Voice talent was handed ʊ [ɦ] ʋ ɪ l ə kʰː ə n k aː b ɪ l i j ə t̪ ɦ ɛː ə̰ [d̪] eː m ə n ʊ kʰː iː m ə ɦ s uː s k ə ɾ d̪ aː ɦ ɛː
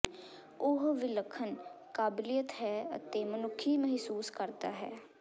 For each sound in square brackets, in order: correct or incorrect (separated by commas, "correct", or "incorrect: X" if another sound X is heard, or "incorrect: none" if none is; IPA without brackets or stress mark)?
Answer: correct, incorrect: t̪